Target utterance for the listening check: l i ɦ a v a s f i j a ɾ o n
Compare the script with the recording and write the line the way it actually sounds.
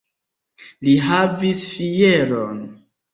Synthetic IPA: l i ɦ a v i s f i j e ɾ o n